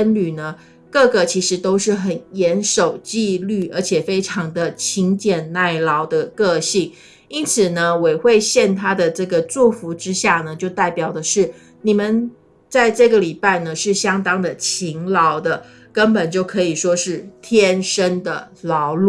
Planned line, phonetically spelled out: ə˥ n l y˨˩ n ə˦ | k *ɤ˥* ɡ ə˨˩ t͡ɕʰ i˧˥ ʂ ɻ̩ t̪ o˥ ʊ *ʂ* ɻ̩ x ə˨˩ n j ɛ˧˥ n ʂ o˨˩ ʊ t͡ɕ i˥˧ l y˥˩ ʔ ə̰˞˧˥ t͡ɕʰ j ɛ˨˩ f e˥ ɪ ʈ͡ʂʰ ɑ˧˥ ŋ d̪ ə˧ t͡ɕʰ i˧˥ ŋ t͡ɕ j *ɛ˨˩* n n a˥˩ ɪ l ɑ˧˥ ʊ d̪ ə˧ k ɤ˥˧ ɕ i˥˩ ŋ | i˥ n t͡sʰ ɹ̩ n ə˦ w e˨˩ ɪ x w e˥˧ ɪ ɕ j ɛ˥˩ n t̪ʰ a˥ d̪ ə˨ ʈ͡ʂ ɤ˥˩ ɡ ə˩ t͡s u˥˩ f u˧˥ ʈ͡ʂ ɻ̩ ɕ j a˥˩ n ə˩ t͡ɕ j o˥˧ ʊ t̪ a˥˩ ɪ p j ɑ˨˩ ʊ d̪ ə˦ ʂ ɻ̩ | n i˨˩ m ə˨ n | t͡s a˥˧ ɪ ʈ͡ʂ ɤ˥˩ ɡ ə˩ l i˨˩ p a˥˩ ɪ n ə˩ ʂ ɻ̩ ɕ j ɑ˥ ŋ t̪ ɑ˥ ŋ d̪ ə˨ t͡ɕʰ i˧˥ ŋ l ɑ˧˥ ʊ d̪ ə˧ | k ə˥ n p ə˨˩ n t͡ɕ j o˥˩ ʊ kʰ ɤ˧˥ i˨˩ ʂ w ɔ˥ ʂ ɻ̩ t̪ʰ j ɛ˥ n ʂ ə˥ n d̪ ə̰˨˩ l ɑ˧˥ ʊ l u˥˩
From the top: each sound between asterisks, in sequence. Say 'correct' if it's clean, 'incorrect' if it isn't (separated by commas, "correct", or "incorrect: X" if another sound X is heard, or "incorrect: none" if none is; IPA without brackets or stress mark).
incorrect: ɤ˥˩, correct, correct